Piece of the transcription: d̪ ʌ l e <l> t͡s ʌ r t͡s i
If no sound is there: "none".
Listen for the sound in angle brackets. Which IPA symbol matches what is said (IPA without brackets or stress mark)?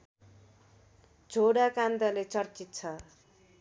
none